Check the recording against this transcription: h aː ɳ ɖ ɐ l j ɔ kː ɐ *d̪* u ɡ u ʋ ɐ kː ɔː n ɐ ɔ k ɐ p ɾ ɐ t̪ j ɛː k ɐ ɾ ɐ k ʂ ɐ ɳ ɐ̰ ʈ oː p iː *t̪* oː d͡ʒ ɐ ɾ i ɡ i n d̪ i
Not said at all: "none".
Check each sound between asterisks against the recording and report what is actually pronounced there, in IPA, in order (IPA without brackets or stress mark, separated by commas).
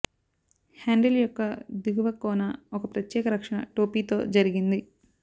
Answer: d̪, t̪